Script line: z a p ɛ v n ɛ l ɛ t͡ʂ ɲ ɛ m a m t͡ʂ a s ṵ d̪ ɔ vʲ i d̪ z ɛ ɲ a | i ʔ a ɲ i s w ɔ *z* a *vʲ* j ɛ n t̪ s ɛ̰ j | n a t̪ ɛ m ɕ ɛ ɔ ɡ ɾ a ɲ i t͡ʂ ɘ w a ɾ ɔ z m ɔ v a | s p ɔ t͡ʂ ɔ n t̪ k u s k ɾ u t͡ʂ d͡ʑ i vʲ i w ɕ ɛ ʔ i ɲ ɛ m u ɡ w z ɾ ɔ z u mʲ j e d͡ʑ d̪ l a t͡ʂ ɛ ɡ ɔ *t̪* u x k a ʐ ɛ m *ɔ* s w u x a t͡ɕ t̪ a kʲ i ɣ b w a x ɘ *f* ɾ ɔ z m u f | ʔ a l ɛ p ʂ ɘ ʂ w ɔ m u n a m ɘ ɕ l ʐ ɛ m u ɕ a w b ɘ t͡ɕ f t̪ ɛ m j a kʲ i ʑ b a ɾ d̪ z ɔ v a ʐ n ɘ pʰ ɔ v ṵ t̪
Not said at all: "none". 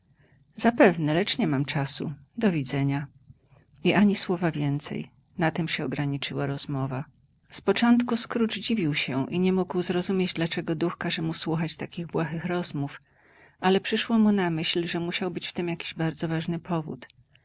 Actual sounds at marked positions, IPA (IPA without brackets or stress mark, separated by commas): v, vʲ, d̪, u, x